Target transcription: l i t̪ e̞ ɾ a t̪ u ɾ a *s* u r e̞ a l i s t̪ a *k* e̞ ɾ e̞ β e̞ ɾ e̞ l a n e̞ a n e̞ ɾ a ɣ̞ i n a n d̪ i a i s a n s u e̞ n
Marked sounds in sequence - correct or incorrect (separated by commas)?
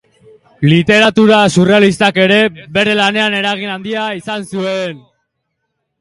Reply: correct, correct